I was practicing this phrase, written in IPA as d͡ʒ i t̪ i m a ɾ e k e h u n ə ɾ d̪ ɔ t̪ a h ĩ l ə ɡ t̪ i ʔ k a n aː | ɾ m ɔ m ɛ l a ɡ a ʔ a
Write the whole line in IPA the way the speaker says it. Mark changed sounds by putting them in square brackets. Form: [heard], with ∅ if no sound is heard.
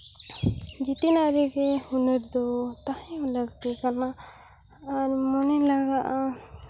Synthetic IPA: d͡ʒ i t̪ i [n] a ɾ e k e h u n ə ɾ d̪ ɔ t̪ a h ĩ l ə ɡ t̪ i [∅] k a n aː | ɾ m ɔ [n] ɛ l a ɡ a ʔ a